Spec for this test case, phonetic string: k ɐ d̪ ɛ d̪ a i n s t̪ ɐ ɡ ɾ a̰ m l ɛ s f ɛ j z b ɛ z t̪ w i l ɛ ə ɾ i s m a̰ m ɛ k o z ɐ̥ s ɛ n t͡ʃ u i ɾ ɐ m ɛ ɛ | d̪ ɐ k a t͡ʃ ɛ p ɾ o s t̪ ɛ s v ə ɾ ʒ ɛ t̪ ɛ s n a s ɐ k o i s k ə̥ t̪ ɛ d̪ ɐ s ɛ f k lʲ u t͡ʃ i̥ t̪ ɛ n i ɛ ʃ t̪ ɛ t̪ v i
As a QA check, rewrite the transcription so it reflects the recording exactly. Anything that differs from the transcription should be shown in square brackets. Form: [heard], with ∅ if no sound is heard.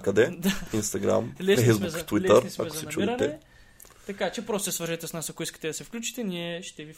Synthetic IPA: k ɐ d̪ ɛ d̪ a i n s t̪ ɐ ɡ ɾ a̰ m l ɛ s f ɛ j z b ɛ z t̪ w i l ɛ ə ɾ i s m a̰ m ɛ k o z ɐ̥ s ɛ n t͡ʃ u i ɾ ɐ [n] ɛ ɛ | [t̪] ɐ k a t͡ʃ ɛ p ɾ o s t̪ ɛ s v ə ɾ ʒ ɛ t̪ ɛ s n a s ɐ k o i s k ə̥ t̪ ɛ d̪ ɐ s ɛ f k lʲ u t͡ʃ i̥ t̪ ɛ n i ɛ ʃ t̪ ɛ [∅] v i